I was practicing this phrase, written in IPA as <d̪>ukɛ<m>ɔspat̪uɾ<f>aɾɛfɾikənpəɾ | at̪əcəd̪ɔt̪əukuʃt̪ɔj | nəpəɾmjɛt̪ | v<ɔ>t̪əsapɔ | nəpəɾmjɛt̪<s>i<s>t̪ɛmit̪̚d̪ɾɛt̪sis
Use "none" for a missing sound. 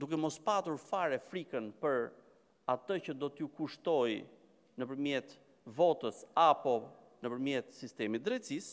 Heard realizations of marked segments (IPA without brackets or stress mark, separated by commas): d̪, m, f, ɔ, s, s